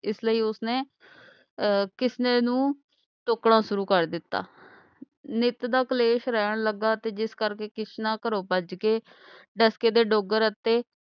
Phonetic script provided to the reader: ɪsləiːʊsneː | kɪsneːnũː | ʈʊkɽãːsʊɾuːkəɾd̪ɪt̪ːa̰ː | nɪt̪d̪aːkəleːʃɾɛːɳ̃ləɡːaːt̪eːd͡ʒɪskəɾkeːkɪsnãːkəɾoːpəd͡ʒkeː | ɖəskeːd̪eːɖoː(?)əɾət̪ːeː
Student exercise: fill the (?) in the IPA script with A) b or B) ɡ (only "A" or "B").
B